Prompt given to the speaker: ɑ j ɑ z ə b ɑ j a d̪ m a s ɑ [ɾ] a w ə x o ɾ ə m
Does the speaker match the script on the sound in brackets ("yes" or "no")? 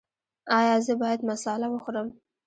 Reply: no